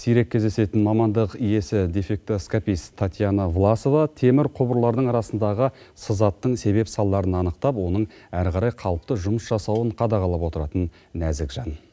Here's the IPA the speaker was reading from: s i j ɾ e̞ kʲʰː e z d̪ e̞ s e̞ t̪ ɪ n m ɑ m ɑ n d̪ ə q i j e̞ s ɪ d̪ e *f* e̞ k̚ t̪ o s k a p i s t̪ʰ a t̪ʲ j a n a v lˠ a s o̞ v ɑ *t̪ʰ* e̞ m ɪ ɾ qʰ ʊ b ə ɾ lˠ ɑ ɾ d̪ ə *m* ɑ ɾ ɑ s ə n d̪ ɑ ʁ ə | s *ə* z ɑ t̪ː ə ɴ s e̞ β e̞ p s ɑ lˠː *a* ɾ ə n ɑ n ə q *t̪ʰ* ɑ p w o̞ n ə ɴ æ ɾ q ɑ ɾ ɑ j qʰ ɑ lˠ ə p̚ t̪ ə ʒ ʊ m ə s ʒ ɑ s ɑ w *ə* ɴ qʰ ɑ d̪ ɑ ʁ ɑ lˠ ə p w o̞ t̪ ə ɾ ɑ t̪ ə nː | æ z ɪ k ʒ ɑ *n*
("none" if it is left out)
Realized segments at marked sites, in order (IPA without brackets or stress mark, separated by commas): f, t̪ʰ, ɴ, ə, ɑ, t̪, ə, n